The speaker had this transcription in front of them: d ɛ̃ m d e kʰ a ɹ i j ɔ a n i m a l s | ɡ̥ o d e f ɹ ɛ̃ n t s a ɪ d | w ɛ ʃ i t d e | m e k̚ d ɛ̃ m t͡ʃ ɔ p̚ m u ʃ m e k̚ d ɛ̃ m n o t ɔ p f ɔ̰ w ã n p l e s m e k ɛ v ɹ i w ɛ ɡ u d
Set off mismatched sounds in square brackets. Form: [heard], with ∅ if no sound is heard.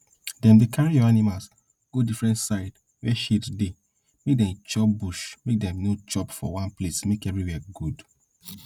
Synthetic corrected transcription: d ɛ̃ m d e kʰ a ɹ i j ɔ a n i m a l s | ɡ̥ o d [i] f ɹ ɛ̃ n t s a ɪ d | w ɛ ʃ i t d e | m e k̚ d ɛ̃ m t͡ʃ ɔ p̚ [b] u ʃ m e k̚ d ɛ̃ m n o [t͡ʃ] ɔ p f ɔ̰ w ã n p l e s m e k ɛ v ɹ i w ɛ ɡ u d

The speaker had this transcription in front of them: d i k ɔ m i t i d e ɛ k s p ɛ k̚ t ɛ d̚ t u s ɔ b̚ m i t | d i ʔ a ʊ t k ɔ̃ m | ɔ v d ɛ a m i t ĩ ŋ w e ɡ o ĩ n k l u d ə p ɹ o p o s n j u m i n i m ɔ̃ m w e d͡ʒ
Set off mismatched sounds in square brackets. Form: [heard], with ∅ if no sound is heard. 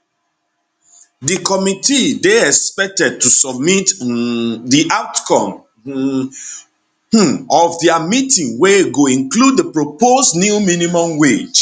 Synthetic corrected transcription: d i k ɔ m i t i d e ɛ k s p ɛ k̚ t ɛ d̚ t u s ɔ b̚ m i t | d i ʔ a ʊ t k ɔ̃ m | ɔ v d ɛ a m i t ĩ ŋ w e ɡ o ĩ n k l u d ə p ɹ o p o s n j u m i n i m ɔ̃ m w e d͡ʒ

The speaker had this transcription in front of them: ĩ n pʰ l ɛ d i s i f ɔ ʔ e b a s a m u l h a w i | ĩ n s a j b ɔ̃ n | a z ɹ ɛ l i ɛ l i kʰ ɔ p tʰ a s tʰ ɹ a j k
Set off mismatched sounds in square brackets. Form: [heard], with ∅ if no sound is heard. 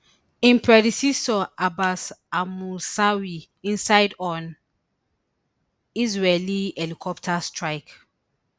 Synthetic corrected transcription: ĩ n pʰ [ɹ] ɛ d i s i [s] ɔ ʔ [a] b a s a m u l [s] a w i | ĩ n s a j [d] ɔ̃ n | [i] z ɹ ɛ l i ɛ l i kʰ ɔ p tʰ a s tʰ ɹ a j k

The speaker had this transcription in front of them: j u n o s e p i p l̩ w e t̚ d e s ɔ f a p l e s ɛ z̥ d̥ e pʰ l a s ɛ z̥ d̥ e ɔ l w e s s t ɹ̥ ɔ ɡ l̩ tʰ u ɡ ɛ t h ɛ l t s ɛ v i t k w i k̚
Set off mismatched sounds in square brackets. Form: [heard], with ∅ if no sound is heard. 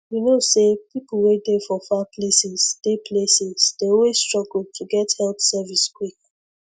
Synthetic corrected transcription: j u n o s e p i p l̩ w e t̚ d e [f] ɔ f a p l e s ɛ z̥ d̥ e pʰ l [e] s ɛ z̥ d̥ e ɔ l w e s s t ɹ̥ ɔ ɡ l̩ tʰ u ɡ ɛ t h ɛ l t s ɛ v i [s] k w i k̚

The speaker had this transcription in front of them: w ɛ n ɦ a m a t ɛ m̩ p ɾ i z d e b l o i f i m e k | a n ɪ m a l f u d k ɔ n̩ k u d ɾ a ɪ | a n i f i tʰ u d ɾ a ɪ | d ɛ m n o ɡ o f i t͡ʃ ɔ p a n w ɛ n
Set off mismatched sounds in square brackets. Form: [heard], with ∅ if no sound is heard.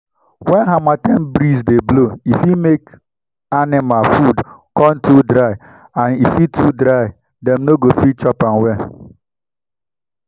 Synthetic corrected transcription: w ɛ n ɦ a m a t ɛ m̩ [b] ɾ i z d e b l o i f i m e k | a n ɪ m a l f u d k ɔ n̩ [t] u d ɾ a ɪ | a n i f i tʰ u d ɾ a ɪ | d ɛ m n o ɡ o f i t͡ʃ ɔ p a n w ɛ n

